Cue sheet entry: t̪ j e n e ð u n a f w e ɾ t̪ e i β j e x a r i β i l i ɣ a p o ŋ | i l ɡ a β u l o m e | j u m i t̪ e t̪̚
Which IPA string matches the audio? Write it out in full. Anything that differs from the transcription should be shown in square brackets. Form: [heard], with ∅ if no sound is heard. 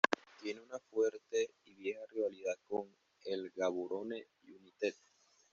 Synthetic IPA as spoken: t̪ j e n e [∅] u n a f w e ɾ t̪ e i β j e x a r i β [a] l i [ð] a [k] o ŋ | [e] l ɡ a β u [ɾ] o [n] e | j u [n] i t̪ e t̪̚